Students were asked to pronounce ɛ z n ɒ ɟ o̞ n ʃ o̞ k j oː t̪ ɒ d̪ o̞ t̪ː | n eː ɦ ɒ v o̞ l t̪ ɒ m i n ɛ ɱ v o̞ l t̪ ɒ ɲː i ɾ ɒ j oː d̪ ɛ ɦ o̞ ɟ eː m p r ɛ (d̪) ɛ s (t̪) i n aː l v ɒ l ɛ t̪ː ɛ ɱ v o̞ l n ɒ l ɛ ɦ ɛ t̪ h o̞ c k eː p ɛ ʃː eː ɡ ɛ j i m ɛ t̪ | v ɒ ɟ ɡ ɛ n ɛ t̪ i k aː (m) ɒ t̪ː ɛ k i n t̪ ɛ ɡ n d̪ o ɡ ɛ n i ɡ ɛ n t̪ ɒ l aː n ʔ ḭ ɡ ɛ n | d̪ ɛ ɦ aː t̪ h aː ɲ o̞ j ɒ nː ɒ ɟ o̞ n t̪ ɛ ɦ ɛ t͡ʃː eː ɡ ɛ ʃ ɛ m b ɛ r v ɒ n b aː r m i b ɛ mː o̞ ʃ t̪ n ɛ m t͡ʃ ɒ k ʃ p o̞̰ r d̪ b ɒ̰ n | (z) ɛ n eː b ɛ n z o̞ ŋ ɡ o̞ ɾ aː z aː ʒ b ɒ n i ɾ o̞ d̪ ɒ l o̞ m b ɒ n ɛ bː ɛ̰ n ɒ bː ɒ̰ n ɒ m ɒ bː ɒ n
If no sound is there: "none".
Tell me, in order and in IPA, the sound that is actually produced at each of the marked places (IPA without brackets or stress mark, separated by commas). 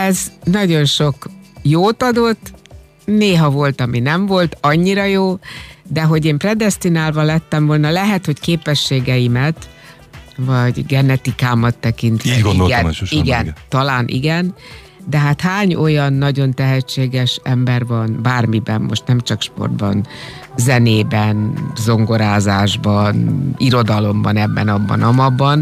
d̪, t̪, m, z